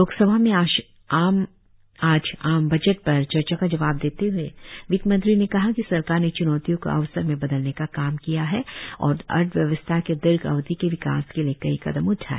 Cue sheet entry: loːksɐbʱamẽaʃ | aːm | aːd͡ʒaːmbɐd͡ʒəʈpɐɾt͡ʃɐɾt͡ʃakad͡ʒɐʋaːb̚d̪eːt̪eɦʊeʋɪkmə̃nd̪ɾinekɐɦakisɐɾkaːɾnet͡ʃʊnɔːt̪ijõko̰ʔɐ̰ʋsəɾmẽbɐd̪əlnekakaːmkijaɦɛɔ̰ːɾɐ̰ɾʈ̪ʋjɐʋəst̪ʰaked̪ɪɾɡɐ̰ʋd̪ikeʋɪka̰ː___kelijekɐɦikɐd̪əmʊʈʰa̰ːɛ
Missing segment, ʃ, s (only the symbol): s